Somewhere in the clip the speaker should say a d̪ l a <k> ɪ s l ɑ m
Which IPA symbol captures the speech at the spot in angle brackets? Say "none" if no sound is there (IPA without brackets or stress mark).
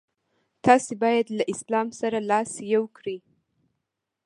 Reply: ʔ